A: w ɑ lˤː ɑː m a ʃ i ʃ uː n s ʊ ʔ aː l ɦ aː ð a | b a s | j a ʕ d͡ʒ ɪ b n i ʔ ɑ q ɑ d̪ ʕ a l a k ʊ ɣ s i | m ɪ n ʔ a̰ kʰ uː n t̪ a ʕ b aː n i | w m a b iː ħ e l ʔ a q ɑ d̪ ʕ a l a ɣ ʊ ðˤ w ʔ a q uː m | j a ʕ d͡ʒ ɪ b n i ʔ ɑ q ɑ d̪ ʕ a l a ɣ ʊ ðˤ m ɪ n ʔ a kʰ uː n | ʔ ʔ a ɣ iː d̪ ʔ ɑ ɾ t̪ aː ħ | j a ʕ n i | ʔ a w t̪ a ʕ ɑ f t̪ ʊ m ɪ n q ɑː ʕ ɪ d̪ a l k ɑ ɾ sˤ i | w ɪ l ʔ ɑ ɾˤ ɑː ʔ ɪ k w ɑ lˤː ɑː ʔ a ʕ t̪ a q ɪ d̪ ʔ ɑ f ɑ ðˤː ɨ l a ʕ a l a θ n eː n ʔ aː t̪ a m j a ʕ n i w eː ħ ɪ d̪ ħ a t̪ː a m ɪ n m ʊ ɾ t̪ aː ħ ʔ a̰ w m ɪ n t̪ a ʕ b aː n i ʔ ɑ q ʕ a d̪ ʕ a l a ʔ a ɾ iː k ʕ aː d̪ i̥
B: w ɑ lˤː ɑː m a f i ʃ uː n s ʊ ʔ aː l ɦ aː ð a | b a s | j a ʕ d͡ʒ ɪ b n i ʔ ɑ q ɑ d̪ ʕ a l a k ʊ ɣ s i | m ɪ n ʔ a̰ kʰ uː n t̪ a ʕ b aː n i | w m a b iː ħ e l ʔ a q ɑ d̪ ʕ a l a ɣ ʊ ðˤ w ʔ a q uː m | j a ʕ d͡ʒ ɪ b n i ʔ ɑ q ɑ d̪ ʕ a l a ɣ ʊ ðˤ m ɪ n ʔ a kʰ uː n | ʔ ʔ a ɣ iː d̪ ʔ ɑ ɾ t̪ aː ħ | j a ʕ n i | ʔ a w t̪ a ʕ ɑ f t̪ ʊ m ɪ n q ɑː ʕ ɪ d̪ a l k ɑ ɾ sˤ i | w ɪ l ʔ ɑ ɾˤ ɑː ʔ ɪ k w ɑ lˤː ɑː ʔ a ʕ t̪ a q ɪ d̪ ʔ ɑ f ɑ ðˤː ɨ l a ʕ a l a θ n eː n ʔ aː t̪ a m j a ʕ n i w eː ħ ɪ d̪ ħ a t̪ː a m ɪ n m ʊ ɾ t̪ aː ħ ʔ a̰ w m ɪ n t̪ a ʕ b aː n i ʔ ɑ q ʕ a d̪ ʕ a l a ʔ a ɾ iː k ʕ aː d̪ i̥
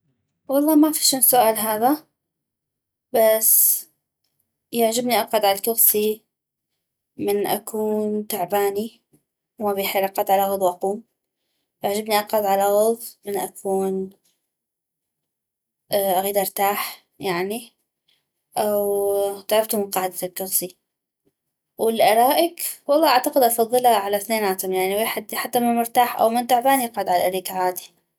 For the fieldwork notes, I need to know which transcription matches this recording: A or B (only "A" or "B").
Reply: B